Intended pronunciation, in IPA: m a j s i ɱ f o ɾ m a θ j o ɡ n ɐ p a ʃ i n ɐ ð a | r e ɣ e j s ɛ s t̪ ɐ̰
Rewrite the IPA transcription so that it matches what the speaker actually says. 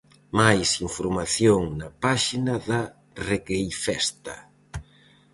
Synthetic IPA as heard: m a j s i ɱ f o ɾ m a θ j o ŋ n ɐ p a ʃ i n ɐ ð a | r e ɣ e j f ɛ s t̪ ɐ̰